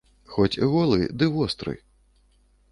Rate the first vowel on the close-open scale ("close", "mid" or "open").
mid